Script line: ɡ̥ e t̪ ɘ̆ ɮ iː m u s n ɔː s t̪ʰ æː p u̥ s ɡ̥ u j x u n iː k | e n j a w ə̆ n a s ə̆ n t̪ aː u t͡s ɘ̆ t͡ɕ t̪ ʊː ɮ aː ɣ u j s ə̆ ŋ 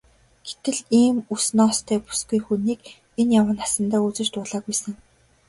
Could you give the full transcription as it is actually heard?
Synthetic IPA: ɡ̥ e t̪ ɘ̆ ɮ iː m u s n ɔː s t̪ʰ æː p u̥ s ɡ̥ u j x u n iː k | e n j a w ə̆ n a s ə̆ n t̪ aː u t͡s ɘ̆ t͡ɕ t̪ ʊː ɮ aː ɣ u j s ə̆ ŋ